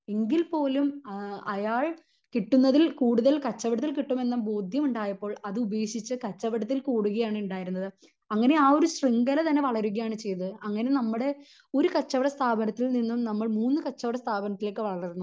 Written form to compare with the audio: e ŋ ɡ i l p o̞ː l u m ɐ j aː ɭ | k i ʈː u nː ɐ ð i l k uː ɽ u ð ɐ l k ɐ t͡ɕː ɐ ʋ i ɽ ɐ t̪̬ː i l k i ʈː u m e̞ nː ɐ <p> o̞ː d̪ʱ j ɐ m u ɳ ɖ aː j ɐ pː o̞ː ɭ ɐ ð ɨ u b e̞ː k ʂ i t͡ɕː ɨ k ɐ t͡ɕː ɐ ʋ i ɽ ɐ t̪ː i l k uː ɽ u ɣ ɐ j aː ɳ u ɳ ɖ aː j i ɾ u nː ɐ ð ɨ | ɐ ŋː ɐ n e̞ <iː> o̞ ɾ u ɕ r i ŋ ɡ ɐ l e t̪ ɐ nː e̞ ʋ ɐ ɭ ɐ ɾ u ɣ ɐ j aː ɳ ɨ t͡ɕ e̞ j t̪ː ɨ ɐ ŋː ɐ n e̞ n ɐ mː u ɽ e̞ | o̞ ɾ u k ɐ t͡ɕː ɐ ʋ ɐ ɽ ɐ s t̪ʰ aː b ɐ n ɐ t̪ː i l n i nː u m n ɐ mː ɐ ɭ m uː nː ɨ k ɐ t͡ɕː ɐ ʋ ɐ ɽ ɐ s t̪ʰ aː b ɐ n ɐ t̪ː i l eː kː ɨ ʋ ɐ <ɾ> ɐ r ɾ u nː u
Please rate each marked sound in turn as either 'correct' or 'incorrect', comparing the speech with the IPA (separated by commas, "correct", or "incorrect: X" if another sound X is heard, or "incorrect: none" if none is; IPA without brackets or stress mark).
incorrect: b, incorrect: aː, incorrect: ɭ